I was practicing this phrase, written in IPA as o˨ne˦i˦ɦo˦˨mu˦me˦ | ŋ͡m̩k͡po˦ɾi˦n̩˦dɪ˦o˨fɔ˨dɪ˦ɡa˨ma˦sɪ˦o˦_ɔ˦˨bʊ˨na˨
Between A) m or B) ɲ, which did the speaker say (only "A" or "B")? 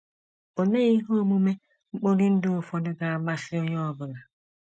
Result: B